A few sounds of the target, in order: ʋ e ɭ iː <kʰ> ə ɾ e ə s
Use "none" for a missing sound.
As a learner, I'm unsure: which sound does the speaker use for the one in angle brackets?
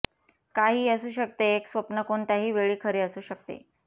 kʰ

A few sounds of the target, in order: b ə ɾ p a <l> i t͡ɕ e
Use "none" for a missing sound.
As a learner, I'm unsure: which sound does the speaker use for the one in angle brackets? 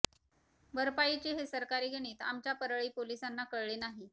none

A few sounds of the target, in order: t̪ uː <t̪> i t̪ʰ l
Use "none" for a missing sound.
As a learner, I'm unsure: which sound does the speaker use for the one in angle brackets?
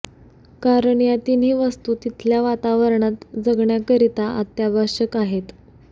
t̪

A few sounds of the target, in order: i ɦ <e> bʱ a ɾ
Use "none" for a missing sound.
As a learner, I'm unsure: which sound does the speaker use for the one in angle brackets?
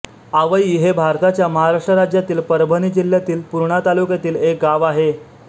e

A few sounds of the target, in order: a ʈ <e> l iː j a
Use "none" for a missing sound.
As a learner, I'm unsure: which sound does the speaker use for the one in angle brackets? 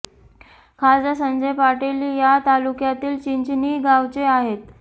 e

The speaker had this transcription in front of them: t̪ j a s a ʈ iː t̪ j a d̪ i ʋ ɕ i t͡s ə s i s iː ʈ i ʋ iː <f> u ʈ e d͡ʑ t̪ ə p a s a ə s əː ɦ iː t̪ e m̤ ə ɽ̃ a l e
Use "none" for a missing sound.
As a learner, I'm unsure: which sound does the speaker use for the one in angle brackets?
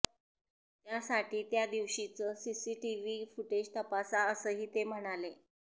f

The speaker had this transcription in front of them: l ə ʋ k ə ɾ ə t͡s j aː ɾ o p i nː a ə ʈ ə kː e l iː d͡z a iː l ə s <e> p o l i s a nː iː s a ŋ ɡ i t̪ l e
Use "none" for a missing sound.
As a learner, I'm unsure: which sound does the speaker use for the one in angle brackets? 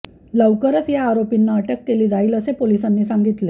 e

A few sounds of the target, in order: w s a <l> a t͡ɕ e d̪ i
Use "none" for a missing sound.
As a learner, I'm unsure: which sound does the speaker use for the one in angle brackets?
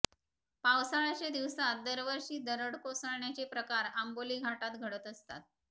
ɭ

